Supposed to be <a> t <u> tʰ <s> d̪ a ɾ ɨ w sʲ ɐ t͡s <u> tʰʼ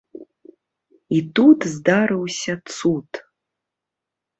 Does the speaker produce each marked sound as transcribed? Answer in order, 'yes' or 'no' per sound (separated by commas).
no, yes, no, yes